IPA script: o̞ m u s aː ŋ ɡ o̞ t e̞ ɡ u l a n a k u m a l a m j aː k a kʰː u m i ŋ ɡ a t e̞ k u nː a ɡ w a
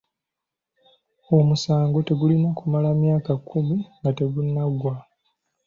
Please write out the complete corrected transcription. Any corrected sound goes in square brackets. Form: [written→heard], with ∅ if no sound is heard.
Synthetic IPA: o̞ m u s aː ŋ ɡ o̞ t e̞ ɡ u l [a→i] n a k u m a l a m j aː k a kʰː u m i ŋ ɡ a t e̞ [k→ɡ] u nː a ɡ w a